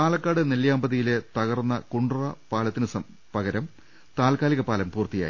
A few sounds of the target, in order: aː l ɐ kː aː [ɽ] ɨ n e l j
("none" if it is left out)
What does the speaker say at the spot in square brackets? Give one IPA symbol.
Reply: ɽ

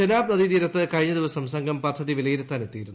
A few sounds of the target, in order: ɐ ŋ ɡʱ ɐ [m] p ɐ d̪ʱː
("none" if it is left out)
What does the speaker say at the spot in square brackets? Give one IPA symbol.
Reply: m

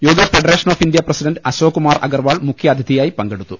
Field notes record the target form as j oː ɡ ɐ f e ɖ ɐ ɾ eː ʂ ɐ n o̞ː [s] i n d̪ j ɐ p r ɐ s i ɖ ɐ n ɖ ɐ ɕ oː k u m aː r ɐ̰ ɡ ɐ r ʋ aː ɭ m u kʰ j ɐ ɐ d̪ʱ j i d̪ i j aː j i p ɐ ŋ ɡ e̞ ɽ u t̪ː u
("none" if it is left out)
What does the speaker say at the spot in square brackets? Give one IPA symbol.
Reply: f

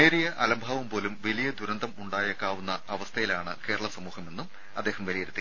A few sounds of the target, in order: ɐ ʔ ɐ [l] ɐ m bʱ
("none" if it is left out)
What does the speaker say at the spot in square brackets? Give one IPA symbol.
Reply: l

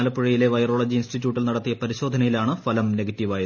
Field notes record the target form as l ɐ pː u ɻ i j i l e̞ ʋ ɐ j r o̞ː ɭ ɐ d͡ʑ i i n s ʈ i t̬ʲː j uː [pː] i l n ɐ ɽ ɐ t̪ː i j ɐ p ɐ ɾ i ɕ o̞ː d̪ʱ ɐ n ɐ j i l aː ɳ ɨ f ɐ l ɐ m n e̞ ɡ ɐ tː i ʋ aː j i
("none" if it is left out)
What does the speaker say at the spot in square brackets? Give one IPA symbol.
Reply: ʈː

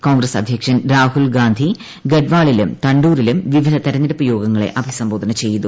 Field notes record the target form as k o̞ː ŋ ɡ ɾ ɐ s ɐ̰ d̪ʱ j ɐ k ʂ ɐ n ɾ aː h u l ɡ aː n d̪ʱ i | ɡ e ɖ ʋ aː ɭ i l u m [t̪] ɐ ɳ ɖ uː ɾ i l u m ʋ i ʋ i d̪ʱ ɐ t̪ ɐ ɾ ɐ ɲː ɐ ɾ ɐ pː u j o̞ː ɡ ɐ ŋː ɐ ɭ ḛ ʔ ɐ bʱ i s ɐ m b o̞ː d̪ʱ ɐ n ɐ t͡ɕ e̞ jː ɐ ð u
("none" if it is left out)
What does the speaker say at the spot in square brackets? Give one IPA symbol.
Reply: t̪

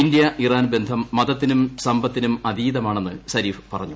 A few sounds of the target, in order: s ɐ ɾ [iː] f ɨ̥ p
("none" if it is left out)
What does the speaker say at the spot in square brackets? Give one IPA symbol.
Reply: iː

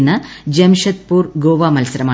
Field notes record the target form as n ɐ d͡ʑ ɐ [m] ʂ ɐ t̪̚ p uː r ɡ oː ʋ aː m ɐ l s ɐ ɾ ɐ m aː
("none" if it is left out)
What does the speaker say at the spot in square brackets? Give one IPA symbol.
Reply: m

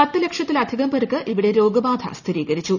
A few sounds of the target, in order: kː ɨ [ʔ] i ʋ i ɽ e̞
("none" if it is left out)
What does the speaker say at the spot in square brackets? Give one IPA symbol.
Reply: ʔ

